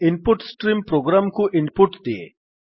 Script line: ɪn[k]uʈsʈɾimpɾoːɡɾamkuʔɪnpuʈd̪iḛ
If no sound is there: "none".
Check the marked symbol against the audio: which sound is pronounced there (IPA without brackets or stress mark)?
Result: p